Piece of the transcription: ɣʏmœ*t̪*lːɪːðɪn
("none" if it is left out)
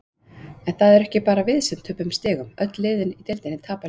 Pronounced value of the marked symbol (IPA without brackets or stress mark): t̪